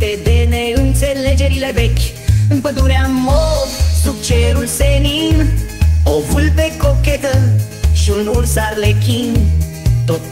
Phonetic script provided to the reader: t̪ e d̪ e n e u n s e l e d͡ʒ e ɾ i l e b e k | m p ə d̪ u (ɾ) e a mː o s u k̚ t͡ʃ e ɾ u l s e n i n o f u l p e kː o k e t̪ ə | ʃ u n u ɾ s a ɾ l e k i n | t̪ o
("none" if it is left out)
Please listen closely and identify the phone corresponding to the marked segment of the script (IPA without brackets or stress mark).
ɾ